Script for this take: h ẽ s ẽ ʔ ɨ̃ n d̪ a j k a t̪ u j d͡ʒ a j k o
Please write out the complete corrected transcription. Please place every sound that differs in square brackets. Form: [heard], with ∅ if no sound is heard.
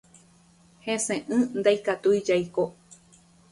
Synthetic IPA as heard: h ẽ s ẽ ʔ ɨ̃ n d̪ a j k a t̪ u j d͡ʒ a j k o